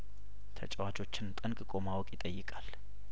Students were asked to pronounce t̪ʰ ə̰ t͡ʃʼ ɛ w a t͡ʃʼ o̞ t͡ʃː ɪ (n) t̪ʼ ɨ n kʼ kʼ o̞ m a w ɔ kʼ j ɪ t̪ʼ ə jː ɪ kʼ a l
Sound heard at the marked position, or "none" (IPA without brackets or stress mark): n